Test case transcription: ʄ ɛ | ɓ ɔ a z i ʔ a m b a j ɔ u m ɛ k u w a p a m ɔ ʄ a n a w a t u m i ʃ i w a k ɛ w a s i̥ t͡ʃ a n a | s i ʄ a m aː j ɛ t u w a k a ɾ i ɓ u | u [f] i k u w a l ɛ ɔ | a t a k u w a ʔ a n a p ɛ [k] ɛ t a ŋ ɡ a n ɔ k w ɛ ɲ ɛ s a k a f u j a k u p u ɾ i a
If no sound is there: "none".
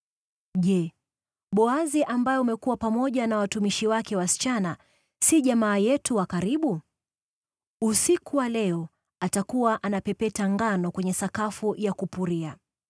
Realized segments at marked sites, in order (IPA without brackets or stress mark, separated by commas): s, p